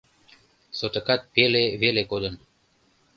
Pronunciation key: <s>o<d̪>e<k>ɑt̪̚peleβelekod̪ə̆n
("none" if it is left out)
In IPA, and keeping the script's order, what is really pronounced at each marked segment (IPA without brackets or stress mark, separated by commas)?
s, t̪, k